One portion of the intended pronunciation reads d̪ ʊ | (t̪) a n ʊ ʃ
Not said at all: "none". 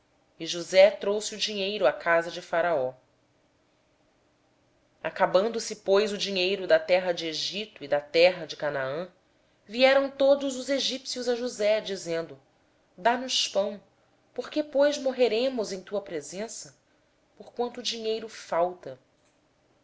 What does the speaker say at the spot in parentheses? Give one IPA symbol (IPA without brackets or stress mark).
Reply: d̪